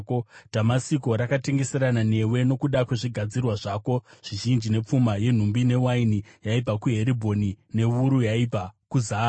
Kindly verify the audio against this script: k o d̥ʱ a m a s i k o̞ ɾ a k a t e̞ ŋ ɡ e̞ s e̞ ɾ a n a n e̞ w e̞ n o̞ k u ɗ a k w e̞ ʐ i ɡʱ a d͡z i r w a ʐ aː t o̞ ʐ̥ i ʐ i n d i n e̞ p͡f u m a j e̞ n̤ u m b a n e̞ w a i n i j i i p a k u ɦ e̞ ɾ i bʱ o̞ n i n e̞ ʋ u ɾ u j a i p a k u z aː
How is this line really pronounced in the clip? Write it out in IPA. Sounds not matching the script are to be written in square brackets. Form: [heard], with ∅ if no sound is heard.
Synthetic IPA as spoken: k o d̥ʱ a m a s i k o̞ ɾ a k a t e̞ ŋ ɡ e̞ s e̞ ɾ a n a n e̞ w e̞ n o̞ k u ɗ a k w e̞ ʐ i ɡʱ a d͡z i r w a ʐ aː [k] o̞ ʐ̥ i [ʒ] i n [d͡ʒ] i n e̞ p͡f u m a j e̞ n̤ u m b [i] n e̞ w a i n i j [a] i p a k u ɦ e̞ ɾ i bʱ o̞ n i n e̞ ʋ u ɾ u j a i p a k u z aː